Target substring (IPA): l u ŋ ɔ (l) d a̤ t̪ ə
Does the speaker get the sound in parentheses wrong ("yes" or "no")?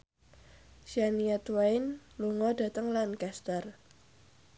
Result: yes